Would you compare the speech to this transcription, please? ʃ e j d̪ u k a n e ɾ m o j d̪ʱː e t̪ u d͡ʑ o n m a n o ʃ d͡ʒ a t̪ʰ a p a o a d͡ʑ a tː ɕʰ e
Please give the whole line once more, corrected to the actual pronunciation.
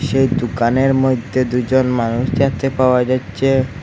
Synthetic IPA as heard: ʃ e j d̪ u k a n e ɾ m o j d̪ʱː e d̪ u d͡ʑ o n m a n u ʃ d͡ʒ a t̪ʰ e p a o a d͡ʑ a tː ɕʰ e